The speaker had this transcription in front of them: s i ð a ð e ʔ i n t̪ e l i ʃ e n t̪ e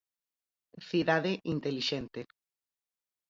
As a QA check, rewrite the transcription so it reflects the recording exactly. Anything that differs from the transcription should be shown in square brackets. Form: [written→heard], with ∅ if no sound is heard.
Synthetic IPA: [s→θ] i ð a ð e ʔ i n t̪ e l i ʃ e n t̪ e